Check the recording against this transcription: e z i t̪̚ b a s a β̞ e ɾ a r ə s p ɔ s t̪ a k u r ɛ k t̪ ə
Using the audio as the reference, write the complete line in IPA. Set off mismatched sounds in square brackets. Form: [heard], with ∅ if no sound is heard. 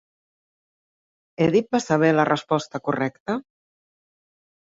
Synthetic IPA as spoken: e [ð] i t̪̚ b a s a β̞ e [l] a r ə s p ɔ s t̪ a k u r ɛ k t̪ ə